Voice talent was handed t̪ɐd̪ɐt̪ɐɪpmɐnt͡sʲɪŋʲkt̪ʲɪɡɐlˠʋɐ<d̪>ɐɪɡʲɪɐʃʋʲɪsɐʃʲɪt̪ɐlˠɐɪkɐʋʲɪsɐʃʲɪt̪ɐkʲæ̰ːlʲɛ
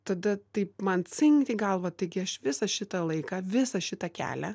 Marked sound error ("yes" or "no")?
yes